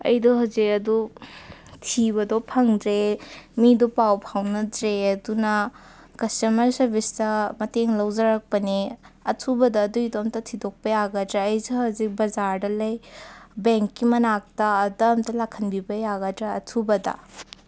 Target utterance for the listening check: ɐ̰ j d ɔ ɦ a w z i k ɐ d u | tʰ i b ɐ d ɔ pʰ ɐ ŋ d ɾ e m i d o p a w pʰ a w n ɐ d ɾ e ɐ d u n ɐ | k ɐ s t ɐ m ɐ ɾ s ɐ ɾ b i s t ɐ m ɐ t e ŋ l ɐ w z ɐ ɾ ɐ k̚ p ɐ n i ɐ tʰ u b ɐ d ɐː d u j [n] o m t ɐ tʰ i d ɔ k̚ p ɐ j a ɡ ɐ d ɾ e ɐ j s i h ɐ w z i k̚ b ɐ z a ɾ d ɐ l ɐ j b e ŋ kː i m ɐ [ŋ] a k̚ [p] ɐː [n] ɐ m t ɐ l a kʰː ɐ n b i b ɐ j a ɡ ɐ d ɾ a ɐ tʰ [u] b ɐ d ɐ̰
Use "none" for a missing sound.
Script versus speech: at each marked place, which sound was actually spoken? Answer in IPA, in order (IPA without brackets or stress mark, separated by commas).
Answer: d, n, t, d, u